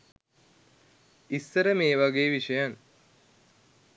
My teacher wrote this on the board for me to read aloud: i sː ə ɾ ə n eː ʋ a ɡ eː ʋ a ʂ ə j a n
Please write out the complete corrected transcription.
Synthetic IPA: i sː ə ɾ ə m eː ʋ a ɡ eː ʋ i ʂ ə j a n